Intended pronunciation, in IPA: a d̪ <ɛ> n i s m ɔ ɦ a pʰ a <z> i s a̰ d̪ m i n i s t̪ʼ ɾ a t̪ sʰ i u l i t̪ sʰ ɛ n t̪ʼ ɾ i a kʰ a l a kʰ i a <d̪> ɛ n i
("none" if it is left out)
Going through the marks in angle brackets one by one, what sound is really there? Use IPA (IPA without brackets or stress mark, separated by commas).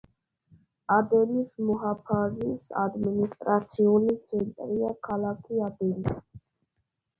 ɛ, z, d̪